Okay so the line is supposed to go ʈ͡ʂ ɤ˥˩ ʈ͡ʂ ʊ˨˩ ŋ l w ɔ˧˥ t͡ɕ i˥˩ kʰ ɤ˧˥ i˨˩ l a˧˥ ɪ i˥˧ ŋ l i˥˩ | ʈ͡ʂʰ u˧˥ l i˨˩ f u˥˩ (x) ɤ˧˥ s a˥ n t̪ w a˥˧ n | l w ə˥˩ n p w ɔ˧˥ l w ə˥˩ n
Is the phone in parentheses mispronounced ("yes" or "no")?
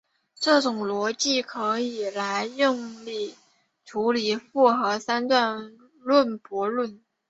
no